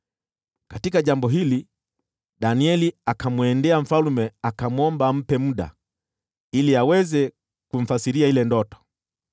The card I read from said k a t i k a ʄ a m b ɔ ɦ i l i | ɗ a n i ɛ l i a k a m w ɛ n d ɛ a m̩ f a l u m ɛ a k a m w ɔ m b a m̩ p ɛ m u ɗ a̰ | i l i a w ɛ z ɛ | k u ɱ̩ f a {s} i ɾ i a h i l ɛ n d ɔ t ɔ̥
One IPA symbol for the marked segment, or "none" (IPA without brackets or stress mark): s